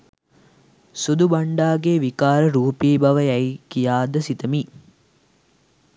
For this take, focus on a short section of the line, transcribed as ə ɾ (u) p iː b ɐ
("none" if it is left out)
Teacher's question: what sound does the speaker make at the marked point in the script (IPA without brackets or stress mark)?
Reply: uː